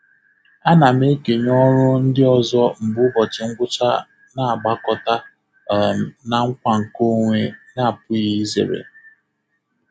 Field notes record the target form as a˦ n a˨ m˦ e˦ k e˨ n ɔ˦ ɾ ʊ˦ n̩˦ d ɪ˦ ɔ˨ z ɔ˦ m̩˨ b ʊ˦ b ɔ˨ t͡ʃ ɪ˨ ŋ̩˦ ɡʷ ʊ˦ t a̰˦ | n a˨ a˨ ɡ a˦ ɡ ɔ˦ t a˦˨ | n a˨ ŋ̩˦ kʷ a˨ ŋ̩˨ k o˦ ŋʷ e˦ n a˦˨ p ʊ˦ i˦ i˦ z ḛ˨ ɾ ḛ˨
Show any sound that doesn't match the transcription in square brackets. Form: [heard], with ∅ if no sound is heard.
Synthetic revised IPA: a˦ n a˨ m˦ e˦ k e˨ [ɲ] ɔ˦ ɾ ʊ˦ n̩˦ d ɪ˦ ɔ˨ z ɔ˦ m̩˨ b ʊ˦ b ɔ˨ t͡ʃ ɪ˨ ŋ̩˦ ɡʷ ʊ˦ [t͡ʃ] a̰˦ | n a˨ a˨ [ɡ͡b] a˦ [k] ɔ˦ t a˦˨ | n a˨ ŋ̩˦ kʷ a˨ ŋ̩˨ k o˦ ŋʷ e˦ n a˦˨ p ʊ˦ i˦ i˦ z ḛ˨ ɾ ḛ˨

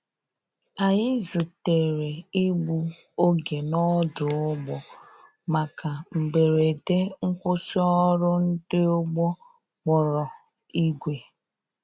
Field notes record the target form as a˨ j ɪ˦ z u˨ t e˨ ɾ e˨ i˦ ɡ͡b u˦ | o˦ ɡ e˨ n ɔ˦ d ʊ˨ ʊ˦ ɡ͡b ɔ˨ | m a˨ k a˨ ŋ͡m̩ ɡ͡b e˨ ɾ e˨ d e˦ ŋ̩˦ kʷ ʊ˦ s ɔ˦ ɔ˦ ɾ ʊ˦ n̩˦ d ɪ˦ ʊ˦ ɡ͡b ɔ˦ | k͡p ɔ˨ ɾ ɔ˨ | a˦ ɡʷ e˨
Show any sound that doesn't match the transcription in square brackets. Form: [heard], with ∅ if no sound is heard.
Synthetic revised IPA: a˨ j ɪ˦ z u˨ t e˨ ɾ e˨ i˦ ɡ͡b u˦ | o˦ ɡ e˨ n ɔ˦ d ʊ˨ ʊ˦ ɡ͡b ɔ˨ | m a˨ k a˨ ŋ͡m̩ ɡ͡b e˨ ɾ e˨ d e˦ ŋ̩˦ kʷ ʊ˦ s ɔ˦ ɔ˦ ɾ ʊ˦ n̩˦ d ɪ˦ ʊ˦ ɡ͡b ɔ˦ | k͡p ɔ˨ ɾ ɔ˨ | [i˦] ɡʷ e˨

